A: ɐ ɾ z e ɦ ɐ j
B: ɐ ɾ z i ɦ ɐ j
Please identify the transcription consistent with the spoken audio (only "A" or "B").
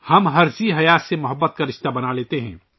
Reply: B